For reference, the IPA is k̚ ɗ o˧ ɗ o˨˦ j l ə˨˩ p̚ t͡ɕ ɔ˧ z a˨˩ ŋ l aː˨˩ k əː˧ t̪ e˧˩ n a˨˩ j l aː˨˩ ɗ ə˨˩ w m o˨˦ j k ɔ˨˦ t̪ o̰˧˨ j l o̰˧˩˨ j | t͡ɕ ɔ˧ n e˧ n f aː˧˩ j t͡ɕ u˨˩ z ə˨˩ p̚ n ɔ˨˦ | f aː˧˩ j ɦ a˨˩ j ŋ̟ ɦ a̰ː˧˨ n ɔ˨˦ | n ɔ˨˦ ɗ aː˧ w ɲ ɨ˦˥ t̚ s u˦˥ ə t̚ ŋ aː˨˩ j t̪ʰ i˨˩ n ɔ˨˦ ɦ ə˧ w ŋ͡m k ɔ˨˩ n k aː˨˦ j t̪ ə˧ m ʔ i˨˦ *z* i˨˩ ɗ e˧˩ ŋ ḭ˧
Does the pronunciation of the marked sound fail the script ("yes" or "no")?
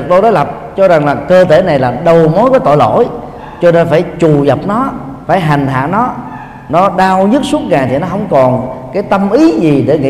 no